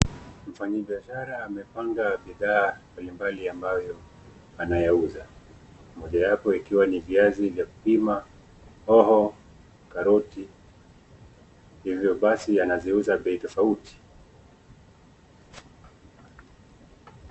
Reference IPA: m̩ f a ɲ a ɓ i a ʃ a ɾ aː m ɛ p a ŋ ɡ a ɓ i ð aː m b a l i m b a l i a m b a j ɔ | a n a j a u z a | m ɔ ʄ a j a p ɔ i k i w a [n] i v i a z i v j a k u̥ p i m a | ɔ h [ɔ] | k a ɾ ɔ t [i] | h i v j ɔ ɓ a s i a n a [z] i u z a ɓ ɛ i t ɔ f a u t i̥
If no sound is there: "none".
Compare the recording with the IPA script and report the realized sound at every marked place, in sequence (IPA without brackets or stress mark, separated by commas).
n, ɔ, i, z